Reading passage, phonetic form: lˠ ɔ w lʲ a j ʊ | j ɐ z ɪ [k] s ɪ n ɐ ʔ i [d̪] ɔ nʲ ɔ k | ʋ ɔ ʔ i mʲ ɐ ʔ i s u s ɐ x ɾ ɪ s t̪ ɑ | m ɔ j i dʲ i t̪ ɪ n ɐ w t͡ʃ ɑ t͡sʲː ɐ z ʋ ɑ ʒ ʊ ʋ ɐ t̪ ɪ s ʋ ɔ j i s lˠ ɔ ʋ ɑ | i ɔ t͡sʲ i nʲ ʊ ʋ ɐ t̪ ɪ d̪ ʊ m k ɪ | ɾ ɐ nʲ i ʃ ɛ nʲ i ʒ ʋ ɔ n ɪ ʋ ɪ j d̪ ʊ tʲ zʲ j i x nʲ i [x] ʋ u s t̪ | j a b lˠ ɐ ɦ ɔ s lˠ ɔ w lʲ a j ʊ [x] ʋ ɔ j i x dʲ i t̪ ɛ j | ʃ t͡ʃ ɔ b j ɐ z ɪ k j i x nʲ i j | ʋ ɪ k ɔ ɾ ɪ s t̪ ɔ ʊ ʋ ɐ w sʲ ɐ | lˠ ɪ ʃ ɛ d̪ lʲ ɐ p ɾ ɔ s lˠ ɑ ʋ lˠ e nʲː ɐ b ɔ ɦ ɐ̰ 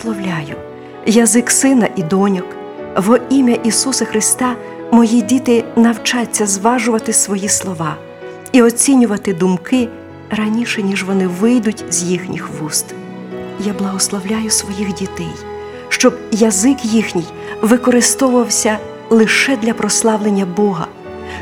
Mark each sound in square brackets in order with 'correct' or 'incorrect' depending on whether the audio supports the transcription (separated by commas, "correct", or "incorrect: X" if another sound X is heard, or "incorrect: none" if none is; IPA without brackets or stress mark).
correct, correct, correct, incorrect: s